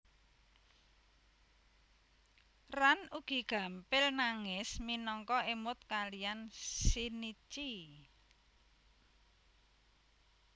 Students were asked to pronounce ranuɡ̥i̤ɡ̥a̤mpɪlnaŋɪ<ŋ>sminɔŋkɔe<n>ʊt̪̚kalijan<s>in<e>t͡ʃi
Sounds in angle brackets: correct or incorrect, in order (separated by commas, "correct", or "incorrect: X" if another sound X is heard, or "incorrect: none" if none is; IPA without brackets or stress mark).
incorrect: none, incorrect: m, correct, incorrect: i